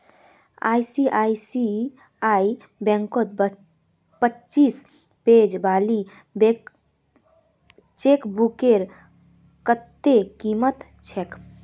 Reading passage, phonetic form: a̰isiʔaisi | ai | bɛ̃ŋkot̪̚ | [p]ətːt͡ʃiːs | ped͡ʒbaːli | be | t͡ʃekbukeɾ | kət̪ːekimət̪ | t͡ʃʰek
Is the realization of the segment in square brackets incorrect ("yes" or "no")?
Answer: no